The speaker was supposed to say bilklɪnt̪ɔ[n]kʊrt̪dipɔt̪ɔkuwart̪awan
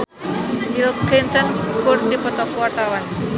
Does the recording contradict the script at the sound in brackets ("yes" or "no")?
no